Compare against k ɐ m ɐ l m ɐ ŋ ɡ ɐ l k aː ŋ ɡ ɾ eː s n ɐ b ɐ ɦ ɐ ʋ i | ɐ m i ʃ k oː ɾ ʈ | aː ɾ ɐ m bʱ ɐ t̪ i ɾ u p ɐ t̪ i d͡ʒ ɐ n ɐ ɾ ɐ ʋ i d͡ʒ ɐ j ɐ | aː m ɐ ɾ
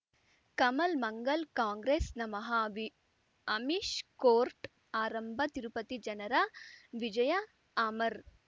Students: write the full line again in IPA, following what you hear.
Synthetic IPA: k ɐ m ɐ l m ɐ ŋ ɡ ɐ l k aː ŋ ɡ ɾ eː s n ɐ m ɐ ɦ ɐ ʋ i | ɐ m i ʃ k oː ɾ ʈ | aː ɾ ɐ m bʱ ɐ t̪ i ɾ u p ɐ t̪ i d͡ʒ ɐ n ɐ ɾ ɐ ʋ i d͡ʒ ɐ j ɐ | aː m ɐ ɾ